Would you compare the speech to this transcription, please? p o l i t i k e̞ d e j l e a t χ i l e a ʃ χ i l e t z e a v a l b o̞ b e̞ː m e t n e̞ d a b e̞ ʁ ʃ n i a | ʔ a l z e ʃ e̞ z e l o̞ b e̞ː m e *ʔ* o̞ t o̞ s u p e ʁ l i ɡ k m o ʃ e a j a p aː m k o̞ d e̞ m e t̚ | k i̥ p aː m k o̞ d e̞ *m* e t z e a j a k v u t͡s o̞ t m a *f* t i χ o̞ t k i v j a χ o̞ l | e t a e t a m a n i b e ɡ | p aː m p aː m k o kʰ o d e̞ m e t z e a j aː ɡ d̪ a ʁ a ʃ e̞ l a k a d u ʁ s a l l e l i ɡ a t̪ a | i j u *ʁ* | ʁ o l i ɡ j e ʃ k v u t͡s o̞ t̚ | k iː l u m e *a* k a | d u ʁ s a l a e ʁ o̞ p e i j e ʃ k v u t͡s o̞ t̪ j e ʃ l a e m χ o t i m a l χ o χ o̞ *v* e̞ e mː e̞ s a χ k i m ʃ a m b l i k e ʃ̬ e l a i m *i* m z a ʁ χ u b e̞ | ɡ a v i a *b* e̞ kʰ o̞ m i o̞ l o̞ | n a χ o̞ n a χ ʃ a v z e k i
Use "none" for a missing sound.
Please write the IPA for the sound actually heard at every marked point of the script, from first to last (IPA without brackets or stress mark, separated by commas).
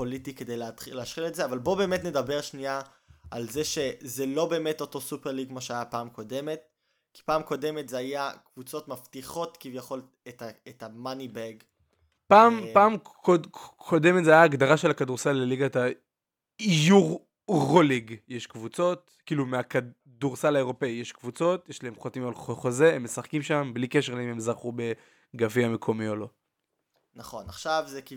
t, m, f, ʁ, a, z, e, m